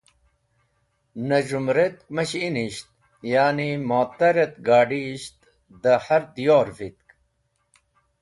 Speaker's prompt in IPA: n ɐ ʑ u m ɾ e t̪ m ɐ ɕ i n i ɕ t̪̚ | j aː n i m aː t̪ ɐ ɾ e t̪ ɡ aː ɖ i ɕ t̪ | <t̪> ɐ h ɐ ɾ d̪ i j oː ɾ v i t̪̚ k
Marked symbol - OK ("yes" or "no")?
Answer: no